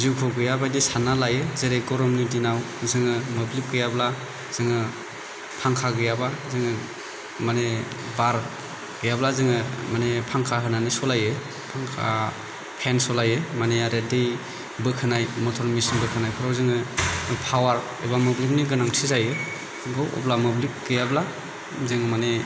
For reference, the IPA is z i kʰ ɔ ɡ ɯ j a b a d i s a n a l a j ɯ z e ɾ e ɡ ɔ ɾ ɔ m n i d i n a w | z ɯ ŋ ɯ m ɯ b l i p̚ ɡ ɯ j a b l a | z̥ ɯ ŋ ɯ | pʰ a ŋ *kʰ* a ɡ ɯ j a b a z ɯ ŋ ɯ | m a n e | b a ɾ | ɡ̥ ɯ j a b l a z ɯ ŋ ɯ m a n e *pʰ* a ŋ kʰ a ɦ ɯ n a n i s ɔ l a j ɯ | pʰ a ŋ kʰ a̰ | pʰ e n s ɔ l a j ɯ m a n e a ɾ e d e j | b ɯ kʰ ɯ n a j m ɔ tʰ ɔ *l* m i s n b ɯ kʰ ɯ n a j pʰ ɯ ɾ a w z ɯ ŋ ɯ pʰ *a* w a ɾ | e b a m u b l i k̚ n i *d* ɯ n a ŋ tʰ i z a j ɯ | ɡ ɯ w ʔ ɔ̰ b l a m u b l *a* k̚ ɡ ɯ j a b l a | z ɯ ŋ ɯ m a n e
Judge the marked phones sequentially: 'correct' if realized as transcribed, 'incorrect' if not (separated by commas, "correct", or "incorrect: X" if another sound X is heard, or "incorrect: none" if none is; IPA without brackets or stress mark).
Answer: correct, correct, incorrect: ɾ, correct, incorrect: ɡ, incorrect: i